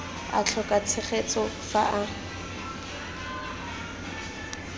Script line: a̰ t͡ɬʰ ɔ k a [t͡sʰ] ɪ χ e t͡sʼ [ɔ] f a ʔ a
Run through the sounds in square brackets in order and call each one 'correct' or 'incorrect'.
correct, correct

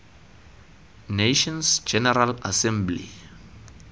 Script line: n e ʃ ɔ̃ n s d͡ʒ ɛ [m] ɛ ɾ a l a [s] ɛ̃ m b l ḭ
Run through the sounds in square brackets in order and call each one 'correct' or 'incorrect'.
incorrect, correct

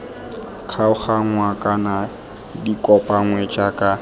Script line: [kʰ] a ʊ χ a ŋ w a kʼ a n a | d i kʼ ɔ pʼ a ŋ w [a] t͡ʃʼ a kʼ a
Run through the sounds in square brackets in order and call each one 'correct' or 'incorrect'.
correct, incorrect

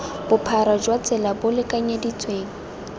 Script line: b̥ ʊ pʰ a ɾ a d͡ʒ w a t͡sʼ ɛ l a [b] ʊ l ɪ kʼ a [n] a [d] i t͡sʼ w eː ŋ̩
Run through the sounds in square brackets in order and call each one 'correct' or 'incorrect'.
correct, incorrect, correct

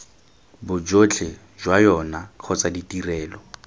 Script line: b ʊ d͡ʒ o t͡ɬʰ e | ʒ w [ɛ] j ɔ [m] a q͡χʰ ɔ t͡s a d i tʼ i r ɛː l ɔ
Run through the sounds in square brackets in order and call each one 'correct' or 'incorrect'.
incorrect, incorrect

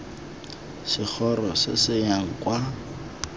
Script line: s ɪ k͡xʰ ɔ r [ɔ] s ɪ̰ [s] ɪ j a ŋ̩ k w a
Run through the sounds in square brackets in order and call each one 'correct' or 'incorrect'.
correct, correct

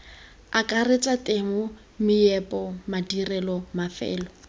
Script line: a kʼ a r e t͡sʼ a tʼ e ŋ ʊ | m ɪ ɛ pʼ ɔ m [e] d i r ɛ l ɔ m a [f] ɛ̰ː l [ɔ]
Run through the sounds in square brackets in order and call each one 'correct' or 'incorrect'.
incorrect, correct, correct

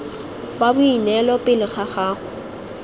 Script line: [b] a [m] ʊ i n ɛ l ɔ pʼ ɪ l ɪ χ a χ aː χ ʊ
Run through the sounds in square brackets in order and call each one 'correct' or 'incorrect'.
correct, incorrect

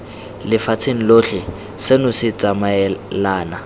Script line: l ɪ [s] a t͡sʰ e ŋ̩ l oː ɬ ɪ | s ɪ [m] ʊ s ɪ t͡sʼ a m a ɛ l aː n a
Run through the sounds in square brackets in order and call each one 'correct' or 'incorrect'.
incorrect, incorrect

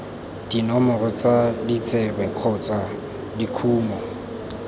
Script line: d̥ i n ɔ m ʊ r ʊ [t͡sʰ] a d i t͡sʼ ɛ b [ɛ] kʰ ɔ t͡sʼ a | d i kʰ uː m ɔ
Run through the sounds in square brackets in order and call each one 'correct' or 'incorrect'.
incorrect, correct

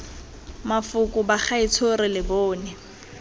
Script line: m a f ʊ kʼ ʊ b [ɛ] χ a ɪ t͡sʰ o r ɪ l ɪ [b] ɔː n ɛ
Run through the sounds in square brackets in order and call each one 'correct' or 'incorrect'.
incorrect, correct

